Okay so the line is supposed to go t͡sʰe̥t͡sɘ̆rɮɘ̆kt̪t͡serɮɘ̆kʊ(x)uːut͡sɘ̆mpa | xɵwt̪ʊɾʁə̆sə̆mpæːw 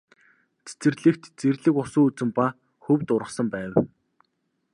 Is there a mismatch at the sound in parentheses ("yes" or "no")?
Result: yes